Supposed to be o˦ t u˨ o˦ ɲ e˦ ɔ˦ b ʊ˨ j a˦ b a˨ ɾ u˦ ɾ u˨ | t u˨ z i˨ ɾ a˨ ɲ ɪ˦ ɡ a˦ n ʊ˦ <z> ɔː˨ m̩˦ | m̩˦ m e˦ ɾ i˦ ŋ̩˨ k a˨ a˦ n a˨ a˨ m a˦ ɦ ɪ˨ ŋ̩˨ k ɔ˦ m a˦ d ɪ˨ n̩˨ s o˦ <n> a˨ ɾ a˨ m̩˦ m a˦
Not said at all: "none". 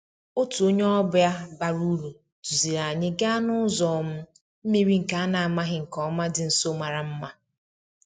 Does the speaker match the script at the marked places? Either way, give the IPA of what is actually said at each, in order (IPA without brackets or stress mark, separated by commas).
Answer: z, m